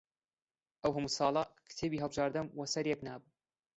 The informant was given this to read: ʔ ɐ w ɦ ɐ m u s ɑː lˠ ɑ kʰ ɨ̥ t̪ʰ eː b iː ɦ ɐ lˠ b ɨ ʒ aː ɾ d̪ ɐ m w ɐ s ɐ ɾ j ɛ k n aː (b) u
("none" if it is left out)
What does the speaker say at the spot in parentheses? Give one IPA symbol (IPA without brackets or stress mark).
b